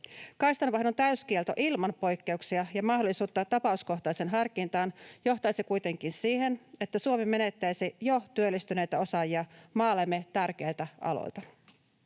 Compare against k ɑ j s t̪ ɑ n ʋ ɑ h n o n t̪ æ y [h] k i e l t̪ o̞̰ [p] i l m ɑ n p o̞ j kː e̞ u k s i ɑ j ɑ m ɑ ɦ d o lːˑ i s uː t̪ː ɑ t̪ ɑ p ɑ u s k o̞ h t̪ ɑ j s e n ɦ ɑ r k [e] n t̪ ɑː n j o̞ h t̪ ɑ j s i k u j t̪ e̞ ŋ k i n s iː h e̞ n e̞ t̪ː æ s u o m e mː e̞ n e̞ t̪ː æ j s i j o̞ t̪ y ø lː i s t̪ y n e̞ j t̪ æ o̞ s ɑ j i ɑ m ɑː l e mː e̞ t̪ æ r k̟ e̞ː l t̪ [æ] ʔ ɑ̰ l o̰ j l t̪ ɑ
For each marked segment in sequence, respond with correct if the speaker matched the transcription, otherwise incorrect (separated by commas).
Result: incorrect, incorrect, incorrect, correct